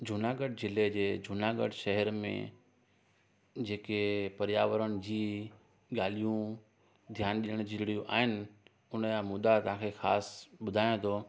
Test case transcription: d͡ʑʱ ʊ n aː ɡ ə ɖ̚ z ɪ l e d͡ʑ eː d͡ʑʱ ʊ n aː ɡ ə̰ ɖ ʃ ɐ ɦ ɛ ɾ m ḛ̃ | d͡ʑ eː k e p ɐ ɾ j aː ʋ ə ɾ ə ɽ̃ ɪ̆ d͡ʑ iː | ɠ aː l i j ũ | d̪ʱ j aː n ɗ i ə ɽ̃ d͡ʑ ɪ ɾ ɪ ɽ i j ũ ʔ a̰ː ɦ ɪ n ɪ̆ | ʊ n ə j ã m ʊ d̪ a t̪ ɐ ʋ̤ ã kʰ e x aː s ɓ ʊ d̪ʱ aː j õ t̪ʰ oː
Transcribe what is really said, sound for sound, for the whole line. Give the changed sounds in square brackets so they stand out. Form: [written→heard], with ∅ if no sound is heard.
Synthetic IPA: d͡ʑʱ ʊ n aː ɡ ə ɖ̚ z ɪ l e d͡ʑ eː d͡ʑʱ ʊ n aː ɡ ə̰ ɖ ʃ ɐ ɦ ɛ ɾ m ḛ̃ | d͡ʑ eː k e p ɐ ɾ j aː ʋ ə ɾ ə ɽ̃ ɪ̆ d͡ʑ iː | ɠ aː l i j ũ | d̪ʱ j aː n ɗ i ə ɽ̃ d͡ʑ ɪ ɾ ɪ ɽ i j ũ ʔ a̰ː ɦ ɪ n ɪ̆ | ʊ n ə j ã m ʊ d̪ a t̪ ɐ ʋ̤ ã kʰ e x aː s ɓ ʊ d̪ʱ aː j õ t̪ʰ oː